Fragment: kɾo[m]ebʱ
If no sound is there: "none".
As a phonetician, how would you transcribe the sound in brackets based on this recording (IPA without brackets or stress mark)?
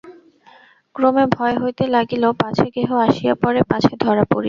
m